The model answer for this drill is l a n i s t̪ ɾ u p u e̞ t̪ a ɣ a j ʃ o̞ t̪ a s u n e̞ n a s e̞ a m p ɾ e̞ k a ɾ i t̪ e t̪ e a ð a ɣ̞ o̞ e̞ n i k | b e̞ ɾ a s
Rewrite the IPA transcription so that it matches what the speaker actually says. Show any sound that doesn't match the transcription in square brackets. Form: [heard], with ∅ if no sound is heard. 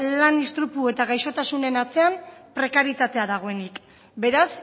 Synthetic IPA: l a n i s t̪ ɾ u p u e̞ t̪ a ɣ a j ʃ o̞ t̪ a s u n e̞ n a [t͡s] e̞ a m p ɾ e̞ k a ɾ i t̪ [a] t̪ e a ð a ɣ̞ o̞ e̞ n i k | b e̞ ɾ a s